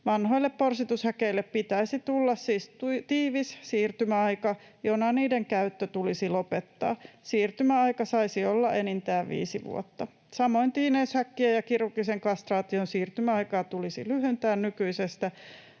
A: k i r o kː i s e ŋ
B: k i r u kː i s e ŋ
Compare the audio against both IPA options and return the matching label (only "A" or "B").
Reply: B